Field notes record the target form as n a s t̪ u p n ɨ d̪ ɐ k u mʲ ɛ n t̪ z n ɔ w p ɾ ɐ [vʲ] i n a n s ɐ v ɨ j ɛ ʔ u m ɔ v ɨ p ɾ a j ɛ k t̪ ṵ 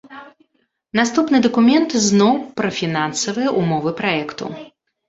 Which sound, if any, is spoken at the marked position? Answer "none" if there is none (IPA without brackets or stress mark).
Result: fʲ